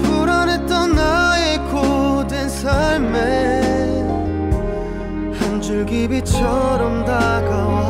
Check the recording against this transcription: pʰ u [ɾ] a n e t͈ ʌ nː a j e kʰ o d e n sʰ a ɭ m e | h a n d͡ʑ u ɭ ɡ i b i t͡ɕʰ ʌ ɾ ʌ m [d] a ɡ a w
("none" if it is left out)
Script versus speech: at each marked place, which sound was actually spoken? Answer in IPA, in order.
ɾ, d

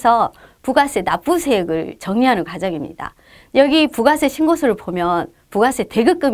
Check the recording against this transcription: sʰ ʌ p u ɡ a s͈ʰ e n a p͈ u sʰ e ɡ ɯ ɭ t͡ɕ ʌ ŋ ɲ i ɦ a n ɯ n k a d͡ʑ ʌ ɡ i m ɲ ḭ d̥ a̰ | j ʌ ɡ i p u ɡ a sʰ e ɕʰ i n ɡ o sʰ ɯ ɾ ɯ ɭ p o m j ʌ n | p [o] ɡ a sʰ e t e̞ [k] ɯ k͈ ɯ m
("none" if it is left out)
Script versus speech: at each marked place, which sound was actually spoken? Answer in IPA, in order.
u, ɡ

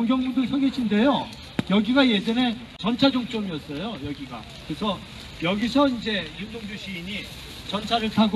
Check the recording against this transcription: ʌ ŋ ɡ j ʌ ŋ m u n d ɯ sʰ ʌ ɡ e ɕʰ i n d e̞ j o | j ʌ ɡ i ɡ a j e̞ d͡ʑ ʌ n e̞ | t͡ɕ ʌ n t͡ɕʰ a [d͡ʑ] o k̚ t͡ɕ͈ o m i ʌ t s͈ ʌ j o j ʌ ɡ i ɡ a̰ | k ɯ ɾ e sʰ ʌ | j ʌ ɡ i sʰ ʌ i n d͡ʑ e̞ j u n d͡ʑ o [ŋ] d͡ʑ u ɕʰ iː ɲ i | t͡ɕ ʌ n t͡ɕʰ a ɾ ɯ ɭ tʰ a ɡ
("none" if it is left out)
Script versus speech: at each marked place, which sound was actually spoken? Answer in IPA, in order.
d͡ʑ, ŋ

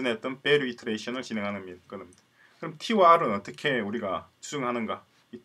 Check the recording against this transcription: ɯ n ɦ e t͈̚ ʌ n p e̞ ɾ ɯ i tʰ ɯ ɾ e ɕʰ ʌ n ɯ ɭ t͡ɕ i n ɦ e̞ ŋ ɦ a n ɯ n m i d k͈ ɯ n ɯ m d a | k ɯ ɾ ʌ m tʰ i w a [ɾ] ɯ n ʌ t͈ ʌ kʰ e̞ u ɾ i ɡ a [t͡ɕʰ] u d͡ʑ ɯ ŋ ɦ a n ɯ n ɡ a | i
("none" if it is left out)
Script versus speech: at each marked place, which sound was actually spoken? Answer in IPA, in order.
ɾ, t͡ɕ

